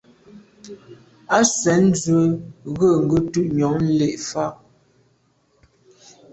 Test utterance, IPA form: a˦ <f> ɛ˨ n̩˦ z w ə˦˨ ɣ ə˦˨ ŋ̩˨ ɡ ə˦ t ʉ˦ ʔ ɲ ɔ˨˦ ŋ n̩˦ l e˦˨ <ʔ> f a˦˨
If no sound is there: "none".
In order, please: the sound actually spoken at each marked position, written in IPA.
s, ʔ

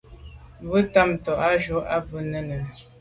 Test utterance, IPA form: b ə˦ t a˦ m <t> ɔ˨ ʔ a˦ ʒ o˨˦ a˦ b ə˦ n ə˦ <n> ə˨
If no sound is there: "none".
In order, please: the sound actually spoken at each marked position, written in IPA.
t, n

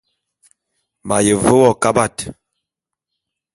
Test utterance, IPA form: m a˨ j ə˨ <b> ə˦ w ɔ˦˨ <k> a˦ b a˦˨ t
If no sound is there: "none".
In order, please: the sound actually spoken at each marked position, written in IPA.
v, k

